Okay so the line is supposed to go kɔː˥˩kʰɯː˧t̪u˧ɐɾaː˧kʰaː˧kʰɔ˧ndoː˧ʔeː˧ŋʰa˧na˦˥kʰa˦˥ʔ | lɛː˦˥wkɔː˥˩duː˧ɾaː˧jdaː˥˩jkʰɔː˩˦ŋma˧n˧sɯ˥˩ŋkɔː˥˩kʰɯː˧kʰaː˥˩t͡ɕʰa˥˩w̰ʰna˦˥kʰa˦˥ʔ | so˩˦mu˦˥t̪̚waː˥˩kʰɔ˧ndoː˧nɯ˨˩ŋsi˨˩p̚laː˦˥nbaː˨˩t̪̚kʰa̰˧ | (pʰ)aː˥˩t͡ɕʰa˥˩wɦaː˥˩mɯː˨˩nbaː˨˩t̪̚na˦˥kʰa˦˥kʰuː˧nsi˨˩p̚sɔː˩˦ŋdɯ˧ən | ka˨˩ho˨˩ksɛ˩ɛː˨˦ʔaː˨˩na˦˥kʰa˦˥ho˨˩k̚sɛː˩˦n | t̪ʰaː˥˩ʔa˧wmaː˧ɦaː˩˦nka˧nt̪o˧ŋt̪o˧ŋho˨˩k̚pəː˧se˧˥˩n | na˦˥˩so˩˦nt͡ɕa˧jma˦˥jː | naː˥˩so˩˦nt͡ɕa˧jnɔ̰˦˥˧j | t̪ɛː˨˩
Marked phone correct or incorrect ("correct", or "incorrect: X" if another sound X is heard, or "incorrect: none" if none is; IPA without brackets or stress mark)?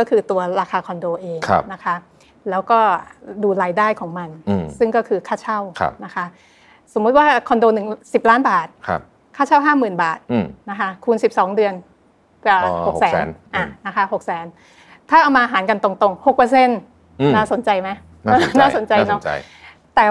incorrect: kʰ